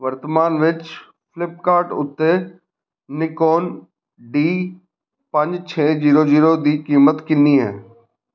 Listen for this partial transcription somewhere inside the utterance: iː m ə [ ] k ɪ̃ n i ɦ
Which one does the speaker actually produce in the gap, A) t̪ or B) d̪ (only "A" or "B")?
A